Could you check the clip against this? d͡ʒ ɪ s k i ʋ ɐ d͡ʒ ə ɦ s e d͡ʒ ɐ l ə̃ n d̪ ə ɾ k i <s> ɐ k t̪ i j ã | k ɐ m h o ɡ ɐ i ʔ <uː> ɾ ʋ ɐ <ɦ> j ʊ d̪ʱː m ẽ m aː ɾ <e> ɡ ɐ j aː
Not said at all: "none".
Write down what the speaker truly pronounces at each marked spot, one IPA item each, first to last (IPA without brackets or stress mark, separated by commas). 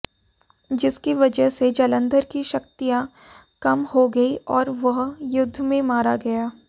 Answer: ʃ, ɔː, ɦ, a